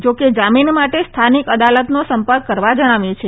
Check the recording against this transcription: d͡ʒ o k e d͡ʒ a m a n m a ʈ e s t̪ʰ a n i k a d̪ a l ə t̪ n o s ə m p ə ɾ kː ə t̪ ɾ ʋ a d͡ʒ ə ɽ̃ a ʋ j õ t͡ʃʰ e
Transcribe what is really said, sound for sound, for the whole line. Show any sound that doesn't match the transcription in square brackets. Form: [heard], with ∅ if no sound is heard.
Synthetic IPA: d͡ʒ o k e d͡ʒ a m [i] n m a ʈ e s t̪ʰ a n i k [ə] d̪ a l ə t̪ n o s ə m p ə ɾ kː ə [∅] ɾ ʋ a d͡ʒ ə ɽ̃ a ʋ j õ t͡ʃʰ e